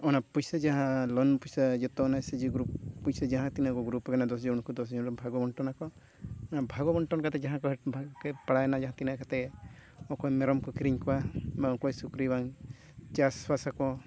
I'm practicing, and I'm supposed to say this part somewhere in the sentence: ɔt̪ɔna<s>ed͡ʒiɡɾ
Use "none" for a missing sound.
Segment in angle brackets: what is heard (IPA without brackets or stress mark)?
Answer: s